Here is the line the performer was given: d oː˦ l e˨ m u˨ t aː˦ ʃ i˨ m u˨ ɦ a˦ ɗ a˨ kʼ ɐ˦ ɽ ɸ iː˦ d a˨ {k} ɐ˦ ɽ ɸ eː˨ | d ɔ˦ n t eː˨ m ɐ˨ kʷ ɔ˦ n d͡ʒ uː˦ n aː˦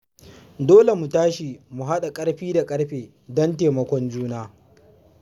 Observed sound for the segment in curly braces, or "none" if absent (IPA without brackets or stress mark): kʼ